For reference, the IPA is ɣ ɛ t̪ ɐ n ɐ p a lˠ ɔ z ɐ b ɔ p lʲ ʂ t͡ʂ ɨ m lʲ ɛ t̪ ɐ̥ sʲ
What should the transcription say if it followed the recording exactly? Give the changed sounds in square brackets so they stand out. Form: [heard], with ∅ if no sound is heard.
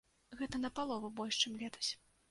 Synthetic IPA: ɣ ɛ t̪ ɐ n ɐ p a lˠ ɔ [v] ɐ b ɔ [∅] lʲ ʂ t͡ʂ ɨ m lʲ ɛ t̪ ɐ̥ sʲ